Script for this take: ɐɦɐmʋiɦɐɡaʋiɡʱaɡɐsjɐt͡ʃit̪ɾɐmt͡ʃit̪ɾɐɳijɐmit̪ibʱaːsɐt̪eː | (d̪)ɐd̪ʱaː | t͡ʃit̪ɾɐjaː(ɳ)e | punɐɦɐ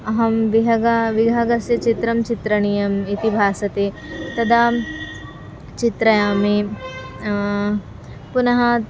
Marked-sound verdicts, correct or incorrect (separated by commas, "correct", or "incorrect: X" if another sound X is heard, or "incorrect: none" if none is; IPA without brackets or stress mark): incorrect: t̪, incorrect: m